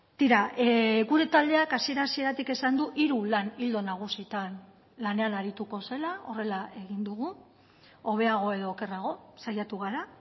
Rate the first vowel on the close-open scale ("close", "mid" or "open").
close